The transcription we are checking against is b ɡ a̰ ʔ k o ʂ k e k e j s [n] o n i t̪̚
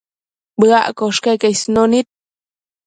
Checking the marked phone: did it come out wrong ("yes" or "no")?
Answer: no